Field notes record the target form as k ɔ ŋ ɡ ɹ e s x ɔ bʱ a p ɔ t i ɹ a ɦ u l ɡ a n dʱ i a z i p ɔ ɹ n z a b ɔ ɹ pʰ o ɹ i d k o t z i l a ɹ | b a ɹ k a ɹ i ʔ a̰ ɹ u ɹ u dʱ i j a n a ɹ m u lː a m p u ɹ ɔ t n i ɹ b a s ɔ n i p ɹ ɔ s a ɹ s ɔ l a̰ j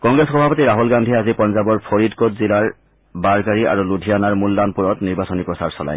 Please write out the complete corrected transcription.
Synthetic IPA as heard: k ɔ ŋ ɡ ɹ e s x ɔ bʱ a p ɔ t i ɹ a ɦ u l ɡ a n dʱ i a z i p ɔ n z a b ɔ ɹ pʰ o ɹ i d k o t z i l a ɹ | b a ɹ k a ɹ i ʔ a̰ ɹ u l u dʱ i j a n a ɹ m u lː a n p u ɹ ɔ t n i ɹ b a s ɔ n i p ɹ ɔ s a ɹ s ɔ l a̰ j